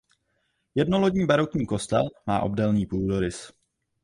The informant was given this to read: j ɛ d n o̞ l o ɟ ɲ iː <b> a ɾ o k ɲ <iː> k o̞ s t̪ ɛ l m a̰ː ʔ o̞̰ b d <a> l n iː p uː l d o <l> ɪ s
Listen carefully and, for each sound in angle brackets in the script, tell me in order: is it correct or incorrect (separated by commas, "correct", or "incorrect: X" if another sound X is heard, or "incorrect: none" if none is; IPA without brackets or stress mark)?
correct, correct, incorrect: ɛ, incorrect: ɾ